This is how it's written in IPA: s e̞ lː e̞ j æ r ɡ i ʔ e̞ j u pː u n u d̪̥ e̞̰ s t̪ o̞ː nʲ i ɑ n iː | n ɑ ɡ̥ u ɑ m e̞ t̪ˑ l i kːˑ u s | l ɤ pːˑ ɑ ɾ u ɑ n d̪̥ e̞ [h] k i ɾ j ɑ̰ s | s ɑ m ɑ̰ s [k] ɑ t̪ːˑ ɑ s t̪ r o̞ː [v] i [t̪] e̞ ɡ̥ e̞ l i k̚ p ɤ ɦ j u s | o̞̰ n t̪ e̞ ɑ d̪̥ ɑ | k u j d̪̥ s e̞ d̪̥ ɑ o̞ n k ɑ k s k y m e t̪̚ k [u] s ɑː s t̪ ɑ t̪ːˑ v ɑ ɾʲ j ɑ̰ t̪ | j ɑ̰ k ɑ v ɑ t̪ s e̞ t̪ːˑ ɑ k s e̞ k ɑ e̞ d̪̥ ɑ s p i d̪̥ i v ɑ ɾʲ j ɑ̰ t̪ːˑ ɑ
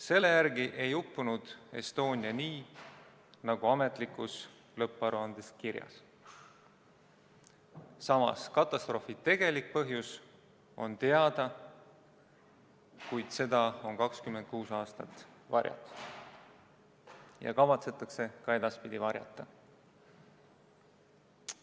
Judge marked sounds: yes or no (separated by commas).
no, yes, no, yes, no